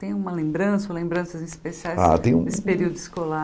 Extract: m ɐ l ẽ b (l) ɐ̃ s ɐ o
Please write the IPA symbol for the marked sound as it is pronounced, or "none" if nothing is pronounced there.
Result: ɾ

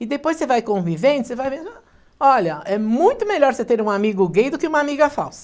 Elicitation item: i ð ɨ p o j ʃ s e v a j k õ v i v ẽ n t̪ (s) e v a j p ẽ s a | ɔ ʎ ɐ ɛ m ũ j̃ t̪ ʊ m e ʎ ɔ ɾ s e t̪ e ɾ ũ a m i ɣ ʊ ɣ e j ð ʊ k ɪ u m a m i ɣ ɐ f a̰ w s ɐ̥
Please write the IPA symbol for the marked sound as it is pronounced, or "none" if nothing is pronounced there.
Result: s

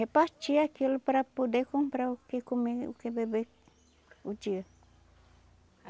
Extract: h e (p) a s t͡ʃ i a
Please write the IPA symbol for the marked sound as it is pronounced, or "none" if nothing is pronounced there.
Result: p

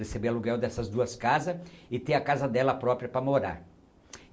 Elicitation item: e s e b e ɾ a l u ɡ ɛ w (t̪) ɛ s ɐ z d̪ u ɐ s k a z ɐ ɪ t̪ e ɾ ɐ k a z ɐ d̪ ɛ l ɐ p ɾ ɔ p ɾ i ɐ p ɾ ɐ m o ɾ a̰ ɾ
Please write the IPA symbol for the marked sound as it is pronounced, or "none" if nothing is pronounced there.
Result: d̪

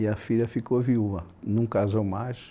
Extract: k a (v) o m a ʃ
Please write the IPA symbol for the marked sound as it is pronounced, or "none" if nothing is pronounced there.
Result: z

